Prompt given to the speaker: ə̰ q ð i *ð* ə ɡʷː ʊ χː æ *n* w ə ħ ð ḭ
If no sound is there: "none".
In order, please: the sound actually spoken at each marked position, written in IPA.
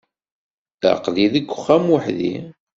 ð, m

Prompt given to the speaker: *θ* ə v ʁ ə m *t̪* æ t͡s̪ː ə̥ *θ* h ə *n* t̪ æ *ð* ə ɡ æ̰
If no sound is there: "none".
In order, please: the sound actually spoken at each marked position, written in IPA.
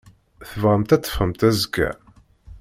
θ, t̪, f, m, z

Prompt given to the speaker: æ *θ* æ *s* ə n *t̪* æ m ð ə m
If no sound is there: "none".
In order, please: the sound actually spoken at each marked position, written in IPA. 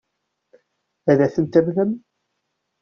ð, θ, t̪

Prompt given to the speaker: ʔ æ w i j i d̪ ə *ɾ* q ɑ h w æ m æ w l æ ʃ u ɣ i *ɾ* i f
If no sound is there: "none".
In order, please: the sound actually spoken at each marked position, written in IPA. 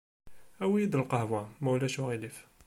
l, l

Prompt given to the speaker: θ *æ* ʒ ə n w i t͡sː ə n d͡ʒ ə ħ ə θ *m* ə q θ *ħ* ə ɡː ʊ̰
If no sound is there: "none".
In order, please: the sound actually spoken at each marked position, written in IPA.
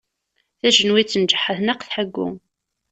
æ, n, ħ

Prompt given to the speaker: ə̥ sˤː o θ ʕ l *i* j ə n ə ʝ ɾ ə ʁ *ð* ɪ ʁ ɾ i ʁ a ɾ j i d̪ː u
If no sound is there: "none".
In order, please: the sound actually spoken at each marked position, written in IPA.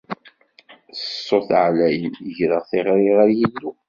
æ, θ

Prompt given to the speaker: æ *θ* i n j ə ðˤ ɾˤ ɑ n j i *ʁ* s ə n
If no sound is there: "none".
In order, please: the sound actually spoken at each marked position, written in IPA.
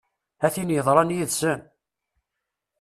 θ, ð

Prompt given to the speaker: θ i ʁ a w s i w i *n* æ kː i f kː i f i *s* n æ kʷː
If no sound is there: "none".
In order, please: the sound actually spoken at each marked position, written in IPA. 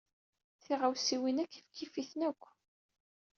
n, θ

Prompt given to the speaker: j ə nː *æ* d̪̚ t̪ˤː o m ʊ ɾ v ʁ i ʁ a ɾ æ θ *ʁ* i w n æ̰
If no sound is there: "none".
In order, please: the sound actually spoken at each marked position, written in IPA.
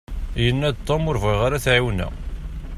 æ, ʕ

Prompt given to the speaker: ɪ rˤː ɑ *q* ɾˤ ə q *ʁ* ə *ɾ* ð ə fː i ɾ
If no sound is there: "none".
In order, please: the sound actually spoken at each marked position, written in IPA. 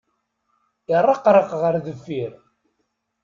q, ʁ, ɾ

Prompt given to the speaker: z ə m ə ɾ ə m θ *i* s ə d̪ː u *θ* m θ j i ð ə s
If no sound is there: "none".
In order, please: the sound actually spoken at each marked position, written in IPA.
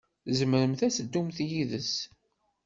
æ, none

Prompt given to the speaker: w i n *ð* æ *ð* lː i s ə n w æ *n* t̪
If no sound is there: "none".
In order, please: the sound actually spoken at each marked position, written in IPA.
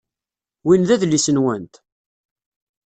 ð, ð, n

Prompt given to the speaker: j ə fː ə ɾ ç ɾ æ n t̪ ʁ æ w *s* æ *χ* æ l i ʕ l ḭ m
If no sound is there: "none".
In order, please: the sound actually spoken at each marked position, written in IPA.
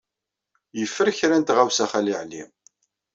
s, χ

